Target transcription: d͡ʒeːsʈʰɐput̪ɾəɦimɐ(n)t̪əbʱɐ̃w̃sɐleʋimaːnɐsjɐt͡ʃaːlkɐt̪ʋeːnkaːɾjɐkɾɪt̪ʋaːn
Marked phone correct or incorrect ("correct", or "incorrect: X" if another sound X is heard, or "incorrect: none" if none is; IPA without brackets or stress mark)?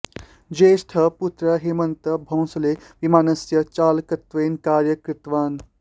correct